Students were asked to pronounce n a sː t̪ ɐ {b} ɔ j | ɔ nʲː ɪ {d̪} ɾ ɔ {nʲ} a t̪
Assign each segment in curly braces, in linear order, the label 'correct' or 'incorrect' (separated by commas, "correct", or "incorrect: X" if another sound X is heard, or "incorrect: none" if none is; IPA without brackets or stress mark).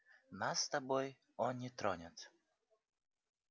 correct, incorrect: t̪, correct